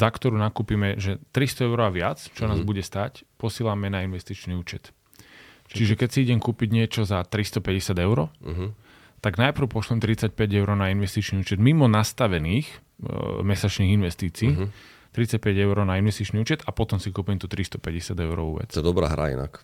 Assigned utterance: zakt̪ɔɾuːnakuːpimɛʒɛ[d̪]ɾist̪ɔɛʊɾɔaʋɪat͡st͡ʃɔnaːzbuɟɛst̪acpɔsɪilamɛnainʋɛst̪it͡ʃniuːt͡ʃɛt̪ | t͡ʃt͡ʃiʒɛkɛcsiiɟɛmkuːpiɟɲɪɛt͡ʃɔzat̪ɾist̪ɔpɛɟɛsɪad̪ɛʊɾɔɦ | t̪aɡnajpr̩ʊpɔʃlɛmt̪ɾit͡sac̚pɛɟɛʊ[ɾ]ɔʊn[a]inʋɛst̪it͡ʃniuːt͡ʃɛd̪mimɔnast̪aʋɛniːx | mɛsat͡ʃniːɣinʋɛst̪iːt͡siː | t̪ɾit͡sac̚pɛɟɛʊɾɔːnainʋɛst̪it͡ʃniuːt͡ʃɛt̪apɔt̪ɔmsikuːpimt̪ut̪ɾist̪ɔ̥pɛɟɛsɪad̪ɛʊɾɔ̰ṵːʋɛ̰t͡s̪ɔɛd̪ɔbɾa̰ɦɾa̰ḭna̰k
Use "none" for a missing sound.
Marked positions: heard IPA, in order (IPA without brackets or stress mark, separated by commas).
t̪, ɾ, a